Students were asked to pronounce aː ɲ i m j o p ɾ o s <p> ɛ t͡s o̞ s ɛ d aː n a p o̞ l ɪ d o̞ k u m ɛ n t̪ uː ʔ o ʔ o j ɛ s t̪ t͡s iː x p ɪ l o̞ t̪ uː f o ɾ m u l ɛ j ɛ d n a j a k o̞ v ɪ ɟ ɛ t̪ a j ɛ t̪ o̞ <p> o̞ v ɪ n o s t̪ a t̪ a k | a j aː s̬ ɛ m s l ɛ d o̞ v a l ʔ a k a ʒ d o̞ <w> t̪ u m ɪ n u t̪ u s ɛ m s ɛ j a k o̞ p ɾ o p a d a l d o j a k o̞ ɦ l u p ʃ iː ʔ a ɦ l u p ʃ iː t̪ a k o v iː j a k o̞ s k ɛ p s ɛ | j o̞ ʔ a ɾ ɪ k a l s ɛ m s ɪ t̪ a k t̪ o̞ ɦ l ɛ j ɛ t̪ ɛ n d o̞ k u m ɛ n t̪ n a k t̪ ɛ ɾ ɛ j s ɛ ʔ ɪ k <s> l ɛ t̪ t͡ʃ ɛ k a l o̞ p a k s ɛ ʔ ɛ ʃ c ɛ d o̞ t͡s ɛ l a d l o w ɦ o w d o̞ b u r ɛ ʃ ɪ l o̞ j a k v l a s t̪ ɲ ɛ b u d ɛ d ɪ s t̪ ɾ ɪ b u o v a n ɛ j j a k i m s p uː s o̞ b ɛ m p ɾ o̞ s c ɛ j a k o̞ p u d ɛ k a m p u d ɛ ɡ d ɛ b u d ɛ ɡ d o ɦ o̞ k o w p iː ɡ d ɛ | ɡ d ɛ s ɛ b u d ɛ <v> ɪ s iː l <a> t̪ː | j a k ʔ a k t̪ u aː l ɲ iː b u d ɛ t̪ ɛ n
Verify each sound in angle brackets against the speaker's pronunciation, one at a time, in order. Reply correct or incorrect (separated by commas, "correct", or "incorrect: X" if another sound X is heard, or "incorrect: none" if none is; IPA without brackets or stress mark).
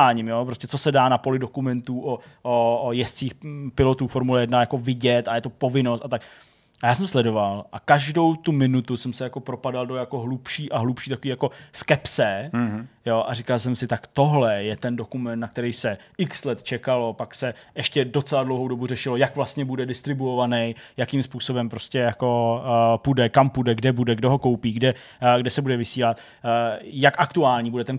incorrect: c, correct, correct, correct, correct, correct